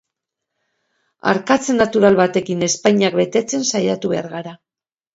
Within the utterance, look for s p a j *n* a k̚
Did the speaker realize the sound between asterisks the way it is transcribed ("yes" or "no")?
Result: no